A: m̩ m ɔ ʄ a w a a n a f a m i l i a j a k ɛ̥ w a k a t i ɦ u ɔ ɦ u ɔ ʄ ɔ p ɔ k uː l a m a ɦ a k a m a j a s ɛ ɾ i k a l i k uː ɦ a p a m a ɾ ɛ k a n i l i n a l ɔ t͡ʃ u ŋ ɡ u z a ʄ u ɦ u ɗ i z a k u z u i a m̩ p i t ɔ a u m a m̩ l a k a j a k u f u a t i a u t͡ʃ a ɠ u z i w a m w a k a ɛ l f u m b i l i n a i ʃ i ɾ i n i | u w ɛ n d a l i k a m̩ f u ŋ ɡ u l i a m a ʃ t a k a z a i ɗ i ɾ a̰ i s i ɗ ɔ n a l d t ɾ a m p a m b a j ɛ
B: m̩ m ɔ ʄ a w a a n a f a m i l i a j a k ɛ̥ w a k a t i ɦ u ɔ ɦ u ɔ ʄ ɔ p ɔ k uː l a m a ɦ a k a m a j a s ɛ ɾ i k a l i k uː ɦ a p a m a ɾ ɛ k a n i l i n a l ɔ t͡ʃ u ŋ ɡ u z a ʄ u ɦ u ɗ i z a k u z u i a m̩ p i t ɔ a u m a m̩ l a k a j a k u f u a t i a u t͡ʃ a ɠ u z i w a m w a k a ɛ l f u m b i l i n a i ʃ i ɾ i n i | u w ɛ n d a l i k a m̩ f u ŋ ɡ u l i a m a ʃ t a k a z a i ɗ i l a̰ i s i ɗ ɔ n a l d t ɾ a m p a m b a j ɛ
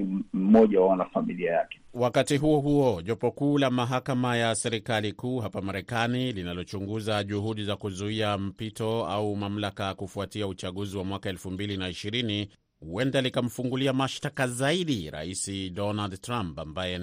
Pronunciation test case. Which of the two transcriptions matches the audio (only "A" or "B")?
A